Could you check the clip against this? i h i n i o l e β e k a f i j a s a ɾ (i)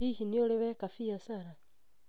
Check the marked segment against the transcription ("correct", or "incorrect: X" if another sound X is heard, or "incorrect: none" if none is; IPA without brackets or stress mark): incorrect: a